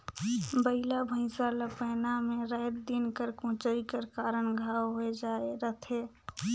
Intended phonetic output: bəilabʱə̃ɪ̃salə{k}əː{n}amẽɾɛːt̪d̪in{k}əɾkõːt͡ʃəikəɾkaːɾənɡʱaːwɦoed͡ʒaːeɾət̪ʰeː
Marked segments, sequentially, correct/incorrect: incorrect: p, correct, correct

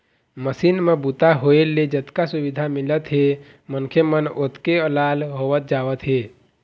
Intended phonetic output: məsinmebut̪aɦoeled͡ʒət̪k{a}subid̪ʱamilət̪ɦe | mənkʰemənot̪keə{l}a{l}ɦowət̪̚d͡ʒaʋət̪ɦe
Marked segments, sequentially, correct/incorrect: correct, correct, correct

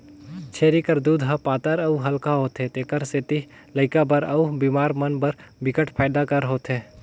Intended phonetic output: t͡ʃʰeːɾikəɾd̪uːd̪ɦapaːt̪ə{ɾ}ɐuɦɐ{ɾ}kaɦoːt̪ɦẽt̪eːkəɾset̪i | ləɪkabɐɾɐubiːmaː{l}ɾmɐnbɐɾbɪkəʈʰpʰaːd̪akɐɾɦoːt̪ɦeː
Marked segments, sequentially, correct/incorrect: correct, incorrect: l, incorrect: none

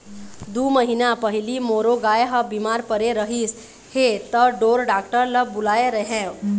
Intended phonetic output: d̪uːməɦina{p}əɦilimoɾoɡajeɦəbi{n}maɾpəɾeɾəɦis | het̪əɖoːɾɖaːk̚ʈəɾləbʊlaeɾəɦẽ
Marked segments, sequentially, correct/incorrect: correct, incorrect: none

